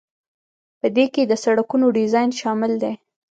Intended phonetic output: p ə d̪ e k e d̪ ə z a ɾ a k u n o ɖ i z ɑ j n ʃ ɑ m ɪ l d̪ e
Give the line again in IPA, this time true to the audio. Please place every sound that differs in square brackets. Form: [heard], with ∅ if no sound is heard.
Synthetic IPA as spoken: p ə d̪ e k e d̪ ə [s] a [ɽ] a k u n o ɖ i z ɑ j n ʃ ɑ m ɪ l d̪ e